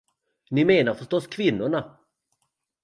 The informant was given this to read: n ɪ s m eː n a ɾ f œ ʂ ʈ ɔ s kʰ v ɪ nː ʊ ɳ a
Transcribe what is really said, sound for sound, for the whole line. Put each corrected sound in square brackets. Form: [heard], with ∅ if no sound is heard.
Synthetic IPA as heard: n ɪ [∅] m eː n a ɾ f œ ʂ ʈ ɔ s kʰ v ɪ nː ʊ ɳ a